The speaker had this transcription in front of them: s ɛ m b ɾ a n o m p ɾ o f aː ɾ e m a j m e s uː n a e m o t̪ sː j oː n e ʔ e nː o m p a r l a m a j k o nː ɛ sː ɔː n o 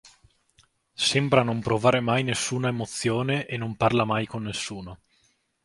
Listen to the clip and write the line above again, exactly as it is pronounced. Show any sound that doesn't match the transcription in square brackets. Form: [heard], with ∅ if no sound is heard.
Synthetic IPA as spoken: s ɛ m b ɾ a n o m p ɾ o [v] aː ɾ e m a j [n] e [sː] uː n a e m o t̪ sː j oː n e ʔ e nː o m p a r l a m a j k o nː [e] sː [uː] n o